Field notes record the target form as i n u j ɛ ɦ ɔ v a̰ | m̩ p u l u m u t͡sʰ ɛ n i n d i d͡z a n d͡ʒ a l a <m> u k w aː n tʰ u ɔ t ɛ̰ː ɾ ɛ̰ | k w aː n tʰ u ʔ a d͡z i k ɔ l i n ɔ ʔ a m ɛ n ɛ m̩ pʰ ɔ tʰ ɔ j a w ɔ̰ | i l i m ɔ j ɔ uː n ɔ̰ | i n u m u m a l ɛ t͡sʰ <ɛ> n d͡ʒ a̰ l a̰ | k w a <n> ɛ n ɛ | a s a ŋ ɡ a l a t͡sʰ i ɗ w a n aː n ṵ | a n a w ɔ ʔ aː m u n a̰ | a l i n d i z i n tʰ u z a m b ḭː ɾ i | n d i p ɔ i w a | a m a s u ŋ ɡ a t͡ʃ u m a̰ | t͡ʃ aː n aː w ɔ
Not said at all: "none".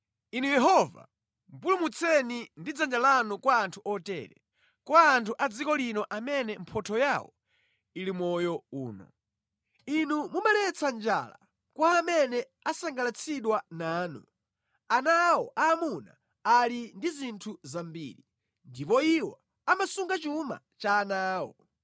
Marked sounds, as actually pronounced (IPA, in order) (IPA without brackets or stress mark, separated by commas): n, a, m